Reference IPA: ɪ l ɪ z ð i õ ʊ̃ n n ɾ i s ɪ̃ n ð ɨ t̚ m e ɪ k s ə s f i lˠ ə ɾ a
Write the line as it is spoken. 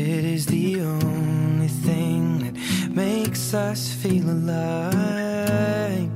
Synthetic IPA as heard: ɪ ɾ ɪ z ð i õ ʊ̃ n n l i θ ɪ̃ ŋ ð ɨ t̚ m e ɪ k s ʌ s f i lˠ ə l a